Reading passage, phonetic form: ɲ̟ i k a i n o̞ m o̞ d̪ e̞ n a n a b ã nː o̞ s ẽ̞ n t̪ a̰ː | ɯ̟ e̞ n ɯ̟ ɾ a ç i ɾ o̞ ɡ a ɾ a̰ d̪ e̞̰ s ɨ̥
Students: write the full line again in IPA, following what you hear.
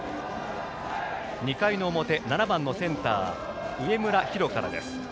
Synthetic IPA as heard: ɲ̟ i k a i n o̞ m o̞ t̪ e̞ n a n a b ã nː o̞ s ẽ̞ n t̪ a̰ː | ɯ̟ e̞ m ɯ̟ ɾ a ç i ɾ o̞ k a ɾ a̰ d̪ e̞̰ s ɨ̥